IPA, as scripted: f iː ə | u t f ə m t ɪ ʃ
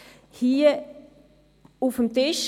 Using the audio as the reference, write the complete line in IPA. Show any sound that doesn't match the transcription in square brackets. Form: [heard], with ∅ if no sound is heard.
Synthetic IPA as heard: [h] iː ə | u [∅] f ə m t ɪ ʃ